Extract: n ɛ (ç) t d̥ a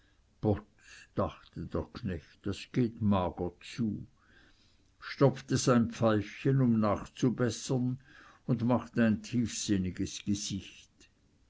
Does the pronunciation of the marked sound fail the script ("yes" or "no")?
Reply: no